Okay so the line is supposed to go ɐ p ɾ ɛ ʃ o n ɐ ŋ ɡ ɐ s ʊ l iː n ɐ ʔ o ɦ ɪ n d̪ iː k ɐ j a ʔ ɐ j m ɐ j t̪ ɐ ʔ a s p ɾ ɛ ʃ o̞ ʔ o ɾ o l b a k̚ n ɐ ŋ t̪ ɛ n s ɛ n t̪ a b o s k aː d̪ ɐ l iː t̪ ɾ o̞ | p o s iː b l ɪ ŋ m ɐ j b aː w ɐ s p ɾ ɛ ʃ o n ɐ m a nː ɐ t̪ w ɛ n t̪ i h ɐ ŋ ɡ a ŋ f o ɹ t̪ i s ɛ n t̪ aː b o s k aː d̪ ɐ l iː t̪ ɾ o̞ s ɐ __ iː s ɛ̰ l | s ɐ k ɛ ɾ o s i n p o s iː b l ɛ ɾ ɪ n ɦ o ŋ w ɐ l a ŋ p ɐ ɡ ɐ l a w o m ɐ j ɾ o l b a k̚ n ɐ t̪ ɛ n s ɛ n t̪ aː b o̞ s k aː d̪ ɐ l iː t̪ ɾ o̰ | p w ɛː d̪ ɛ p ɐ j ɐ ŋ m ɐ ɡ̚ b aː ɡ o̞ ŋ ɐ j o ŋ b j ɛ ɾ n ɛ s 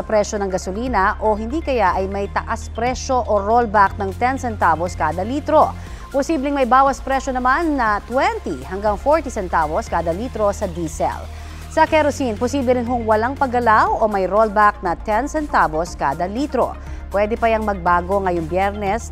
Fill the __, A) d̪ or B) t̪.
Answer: A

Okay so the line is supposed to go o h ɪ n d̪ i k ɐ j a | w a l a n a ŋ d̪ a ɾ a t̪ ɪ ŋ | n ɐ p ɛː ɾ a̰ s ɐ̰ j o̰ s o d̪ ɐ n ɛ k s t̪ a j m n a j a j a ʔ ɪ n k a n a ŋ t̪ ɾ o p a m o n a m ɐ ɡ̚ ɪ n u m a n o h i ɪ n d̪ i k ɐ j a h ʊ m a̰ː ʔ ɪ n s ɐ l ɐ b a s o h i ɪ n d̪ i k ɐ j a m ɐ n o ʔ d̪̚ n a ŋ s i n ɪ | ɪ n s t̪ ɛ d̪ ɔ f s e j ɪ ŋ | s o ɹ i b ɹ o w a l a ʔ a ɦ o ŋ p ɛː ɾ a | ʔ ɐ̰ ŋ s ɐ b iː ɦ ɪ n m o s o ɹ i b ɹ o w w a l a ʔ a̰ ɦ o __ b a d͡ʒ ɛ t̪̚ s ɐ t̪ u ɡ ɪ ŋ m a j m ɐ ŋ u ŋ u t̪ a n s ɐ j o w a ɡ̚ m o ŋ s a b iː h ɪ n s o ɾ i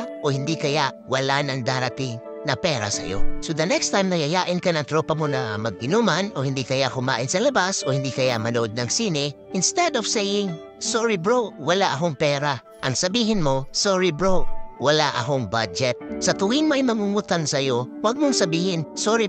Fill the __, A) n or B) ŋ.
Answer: B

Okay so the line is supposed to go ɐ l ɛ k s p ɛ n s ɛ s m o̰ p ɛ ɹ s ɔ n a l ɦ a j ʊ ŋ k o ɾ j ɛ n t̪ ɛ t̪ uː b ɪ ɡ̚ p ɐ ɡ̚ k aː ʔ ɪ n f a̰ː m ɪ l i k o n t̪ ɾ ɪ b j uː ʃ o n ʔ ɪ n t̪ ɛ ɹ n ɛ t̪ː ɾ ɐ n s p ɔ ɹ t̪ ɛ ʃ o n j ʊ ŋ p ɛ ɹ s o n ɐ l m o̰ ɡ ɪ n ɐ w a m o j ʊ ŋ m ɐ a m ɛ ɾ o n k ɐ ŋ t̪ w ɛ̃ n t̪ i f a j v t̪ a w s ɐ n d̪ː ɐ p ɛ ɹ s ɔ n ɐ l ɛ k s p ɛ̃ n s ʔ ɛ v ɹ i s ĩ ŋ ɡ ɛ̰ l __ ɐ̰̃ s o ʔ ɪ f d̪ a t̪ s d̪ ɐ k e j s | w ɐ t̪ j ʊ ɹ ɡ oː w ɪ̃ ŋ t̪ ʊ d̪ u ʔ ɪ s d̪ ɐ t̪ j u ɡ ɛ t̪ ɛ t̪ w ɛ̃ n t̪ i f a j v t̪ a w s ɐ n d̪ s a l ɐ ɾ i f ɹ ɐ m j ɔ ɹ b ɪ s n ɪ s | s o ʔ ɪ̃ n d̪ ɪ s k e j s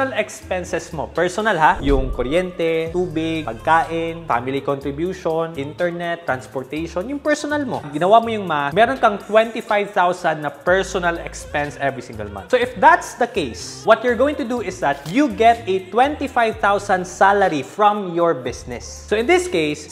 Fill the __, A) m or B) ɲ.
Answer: A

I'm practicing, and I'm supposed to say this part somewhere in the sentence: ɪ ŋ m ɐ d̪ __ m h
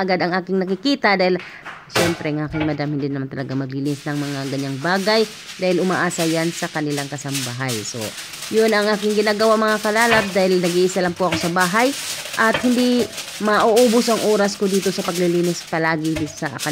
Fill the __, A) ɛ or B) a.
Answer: B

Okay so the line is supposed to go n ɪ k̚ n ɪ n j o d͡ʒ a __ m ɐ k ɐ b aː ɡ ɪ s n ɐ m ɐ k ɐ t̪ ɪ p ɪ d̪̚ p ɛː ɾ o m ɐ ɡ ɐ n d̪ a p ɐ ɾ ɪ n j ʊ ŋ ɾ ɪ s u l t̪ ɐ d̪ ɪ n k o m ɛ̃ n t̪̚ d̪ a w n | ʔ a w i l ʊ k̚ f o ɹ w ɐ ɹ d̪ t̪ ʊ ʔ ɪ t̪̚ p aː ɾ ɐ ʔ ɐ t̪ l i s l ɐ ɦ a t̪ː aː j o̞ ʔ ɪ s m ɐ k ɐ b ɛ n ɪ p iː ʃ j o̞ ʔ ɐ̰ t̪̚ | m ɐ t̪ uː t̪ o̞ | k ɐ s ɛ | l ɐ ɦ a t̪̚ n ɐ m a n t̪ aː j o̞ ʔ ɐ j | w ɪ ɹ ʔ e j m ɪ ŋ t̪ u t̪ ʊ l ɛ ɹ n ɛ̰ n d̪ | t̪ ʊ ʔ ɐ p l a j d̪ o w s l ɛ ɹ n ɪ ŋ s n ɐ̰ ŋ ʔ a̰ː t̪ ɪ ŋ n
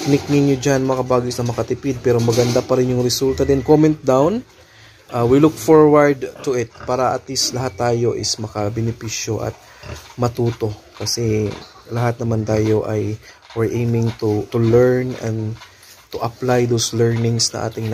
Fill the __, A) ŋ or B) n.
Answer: B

